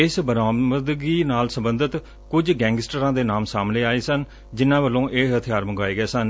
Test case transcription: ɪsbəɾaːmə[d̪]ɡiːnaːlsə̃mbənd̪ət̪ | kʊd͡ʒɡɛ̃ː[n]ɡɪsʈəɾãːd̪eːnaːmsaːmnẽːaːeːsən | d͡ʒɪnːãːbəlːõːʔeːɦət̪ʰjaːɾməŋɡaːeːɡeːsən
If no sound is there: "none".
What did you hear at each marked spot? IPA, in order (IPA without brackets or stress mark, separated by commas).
d̪, ŋ